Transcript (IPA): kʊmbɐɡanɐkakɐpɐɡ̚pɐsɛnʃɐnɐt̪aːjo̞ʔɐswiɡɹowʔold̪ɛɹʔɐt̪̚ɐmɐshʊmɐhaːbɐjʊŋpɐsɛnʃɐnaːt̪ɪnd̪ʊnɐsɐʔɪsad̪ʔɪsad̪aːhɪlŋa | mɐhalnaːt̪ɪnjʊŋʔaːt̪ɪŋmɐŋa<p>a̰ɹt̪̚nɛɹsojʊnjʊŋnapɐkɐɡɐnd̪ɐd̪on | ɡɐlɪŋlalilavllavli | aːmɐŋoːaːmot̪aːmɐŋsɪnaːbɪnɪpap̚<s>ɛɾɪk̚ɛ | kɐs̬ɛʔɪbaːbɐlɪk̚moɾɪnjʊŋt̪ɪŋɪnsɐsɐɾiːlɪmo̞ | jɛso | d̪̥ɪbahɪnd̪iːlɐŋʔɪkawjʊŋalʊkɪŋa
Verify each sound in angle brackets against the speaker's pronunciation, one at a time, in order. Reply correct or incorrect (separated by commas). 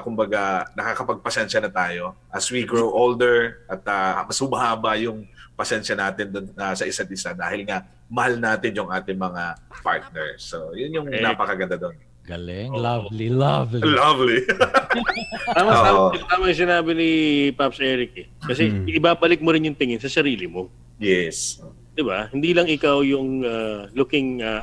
correct, correct